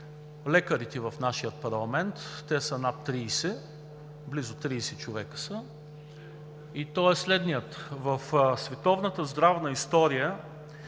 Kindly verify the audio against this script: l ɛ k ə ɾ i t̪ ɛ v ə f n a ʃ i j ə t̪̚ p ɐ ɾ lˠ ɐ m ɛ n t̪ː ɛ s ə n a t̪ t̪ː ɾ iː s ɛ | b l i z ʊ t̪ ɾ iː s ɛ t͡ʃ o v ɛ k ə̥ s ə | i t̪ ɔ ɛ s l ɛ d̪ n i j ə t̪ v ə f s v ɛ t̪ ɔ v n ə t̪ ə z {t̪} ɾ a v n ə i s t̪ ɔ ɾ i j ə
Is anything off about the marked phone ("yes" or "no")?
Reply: yes